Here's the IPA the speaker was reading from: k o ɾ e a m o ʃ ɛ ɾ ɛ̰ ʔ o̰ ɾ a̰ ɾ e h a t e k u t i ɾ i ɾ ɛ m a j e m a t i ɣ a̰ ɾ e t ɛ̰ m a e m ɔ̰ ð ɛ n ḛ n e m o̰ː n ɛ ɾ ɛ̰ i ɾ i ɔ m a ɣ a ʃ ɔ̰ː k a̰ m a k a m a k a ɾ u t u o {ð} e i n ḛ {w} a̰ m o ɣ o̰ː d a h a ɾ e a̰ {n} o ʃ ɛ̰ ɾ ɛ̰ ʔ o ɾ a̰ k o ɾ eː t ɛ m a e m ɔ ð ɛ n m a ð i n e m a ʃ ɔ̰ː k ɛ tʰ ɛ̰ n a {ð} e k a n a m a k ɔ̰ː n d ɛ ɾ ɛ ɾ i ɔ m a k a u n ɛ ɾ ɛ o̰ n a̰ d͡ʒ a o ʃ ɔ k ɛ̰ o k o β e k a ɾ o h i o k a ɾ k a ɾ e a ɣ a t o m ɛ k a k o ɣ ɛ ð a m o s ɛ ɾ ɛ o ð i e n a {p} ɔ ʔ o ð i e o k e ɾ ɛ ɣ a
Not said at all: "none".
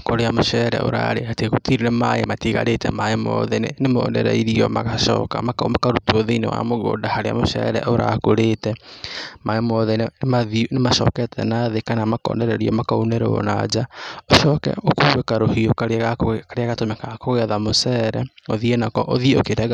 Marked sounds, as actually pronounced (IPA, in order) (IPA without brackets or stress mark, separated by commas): ð, w, m, ð, k